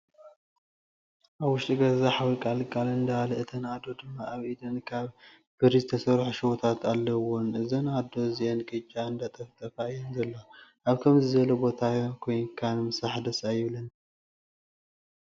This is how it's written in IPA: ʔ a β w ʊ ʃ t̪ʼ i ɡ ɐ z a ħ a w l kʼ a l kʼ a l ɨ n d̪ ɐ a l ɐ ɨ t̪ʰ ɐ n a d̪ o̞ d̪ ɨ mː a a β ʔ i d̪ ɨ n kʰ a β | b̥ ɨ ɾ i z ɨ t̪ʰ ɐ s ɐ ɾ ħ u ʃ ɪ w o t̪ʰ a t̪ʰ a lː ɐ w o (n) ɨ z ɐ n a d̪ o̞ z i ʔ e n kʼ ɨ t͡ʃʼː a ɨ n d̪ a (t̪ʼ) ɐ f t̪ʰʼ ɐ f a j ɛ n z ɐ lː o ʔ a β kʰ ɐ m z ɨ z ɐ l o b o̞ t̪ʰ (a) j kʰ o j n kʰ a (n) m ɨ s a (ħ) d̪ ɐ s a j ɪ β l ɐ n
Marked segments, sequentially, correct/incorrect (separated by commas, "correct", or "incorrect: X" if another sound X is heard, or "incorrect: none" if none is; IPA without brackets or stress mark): correct, correct, correct, correct, correct